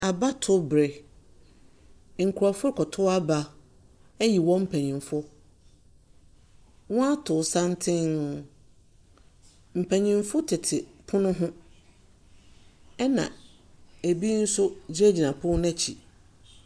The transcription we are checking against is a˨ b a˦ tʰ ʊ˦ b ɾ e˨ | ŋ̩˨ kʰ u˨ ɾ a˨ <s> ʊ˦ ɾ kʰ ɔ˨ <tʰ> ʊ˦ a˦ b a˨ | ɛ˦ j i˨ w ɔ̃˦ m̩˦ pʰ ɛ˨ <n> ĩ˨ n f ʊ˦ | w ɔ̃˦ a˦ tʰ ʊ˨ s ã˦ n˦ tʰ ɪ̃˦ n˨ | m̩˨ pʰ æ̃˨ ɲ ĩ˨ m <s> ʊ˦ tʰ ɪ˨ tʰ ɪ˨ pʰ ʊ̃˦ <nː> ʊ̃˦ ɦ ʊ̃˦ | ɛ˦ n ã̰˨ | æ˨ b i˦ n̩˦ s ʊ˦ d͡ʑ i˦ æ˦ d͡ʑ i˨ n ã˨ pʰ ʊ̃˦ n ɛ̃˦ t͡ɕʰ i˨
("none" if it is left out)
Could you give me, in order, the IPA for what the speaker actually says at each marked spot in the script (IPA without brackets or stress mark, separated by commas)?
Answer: f, tʰ, ɲ, f, n